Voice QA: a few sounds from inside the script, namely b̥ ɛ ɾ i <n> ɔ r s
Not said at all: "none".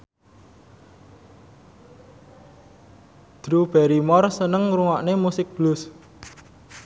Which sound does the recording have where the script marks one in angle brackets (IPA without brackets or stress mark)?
m